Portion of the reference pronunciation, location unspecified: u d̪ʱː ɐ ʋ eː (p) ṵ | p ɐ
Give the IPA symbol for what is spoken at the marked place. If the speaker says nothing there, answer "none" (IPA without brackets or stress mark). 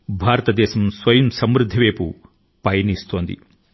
p